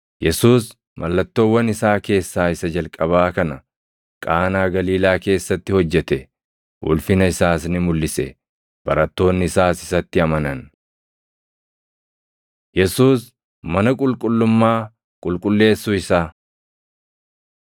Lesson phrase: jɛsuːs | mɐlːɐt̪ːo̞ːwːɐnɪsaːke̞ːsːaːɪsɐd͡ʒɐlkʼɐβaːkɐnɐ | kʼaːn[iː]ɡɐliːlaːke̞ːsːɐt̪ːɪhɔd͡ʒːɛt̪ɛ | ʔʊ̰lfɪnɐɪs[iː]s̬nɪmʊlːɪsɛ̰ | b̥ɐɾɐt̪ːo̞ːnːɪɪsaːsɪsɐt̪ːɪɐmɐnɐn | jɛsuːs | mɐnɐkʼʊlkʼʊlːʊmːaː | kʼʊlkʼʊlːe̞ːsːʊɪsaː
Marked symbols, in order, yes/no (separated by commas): no, no